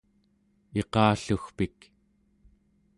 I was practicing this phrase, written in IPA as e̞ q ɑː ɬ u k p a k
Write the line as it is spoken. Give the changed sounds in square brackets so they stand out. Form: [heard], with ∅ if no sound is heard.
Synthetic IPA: e̞ q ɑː ɬ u [x] p [i] k